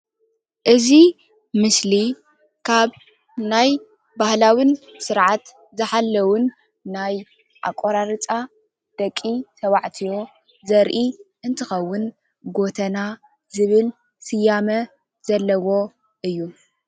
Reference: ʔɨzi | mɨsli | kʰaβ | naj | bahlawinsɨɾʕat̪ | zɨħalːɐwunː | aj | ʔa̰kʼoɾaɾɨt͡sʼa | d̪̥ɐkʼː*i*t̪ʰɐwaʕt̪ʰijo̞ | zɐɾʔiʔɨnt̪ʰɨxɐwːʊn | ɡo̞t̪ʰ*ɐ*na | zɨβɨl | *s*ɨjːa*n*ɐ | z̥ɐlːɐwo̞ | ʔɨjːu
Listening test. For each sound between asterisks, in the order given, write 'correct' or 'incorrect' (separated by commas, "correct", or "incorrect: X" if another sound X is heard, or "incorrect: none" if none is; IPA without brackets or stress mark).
correct, correct, correct, incorrect: m